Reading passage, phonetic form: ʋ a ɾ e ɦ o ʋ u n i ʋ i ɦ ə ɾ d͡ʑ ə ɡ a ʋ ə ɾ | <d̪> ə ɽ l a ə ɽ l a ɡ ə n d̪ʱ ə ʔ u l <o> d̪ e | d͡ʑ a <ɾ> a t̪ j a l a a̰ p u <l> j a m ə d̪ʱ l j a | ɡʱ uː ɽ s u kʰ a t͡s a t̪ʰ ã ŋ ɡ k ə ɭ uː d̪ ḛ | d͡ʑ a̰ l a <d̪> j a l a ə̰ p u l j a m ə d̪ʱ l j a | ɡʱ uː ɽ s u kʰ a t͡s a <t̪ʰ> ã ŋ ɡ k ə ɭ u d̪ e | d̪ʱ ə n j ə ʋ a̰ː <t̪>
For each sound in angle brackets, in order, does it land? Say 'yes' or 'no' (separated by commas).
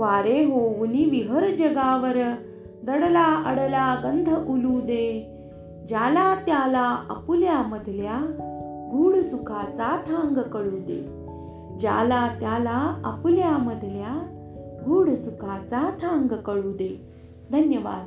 yes, no, no, yes, no, yes, no